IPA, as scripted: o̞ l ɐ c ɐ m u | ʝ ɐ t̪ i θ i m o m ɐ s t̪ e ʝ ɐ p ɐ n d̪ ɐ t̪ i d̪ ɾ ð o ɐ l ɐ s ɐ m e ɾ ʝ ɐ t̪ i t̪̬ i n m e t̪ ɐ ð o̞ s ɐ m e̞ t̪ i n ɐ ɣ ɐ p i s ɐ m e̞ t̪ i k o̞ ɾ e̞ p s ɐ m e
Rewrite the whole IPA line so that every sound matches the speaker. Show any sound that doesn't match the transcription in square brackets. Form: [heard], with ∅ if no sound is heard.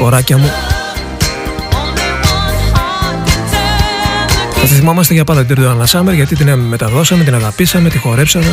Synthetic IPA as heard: o̞ [ɾ] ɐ c ɐ m u | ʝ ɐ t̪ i θ i m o m ɐ s t̪ e ʝ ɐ p ɐ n d̪ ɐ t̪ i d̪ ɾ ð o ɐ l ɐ s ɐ m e ɾ ʝ ɐ t̪ i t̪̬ i n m e t̪ ɐ ð o̞ s ɐ m e̞ t̪ i n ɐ ɣ ɐ p i s ɐ m e̞ t̪ i [x] o̞ ɾ e̞ p s ɐ m e